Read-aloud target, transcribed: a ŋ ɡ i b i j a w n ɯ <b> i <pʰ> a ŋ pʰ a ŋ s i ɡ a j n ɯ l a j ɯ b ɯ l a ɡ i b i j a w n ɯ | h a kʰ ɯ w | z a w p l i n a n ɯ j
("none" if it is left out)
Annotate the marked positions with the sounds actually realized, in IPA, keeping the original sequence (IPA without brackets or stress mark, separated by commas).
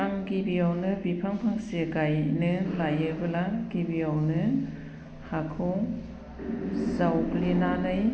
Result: b, pʰ